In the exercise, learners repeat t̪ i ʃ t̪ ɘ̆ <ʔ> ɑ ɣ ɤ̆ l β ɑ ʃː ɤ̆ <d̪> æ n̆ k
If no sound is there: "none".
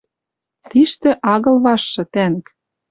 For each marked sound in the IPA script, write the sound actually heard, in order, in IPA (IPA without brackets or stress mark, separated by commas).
ʔ, t̪